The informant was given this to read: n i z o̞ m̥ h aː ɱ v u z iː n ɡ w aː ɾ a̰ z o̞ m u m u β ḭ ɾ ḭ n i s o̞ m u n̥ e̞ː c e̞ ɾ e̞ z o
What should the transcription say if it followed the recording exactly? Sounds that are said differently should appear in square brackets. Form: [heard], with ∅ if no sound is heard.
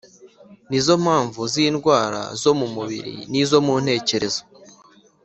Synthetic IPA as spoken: n i z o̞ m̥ h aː ɱ v u z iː n ɡ w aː ɾ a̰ z o̞ m u m u β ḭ ɾ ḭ n i [z] o̞ m u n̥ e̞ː c e̞ ɾ e̞ z o